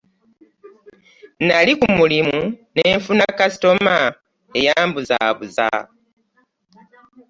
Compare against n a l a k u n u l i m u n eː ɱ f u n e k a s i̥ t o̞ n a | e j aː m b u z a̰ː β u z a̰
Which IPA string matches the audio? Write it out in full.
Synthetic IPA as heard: n a l i k u m u l i m u n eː ɱ f u n a k a s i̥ t o̞ m a | e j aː m b u z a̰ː β u z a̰